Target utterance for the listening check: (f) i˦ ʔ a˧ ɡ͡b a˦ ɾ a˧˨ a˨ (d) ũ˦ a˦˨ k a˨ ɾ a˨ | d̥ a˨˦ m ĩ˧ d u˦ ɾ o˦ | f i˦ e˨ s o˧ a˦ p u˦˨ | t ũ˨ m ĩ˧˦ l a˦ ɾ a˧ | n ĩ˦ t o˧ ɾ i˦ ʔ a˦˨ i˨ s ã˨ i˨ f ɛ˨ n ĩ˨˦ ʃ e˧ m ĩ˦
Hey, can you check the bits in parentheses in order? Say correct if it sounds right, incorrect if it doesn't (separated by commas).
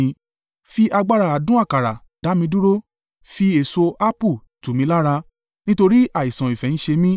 correct, correct